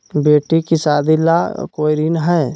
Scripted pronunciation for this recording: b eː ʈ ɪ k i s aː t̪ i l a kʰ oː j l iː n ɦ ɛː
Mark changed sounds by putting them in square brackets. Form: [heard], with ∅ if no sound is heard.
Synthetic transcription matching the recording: b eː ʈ [i] k i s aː [d̪] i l a [k] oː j [ɾ] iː n ɦ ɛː